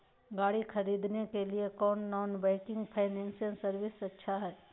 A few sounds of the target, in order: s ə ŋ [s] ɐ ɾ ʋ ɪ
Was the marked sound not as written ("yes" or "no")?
no